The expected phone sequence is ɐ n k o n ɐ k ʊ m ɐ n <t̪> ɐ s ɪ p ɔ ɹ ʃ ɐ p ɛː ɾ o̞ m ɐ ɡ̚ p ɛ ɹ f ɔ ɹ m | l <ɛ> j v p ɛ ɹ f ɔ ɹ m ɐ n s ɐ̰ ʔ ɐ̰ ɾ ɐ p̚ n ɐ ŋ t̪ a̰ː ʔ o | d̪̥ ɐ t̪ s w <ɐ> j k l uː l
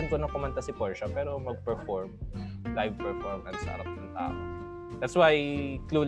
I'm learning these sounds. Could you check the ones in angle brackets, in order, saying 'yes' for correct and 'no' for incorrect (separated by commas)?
yes, no, no